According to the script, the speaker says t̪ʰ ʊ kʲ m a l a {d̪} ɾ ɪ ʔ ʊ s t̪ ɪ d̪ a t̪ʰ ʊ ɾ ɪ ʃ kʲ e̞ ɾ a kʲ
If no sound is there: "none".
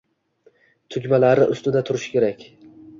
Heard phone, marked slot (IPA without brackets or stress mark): none